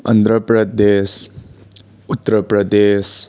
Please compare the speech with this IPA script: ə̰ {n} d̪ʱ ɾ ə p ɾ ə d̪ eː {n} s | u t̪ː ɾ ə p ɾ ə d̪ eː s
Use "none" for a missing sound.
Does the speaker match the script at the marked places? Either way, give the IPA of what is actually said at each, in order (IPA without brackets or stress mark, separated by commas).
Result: n, none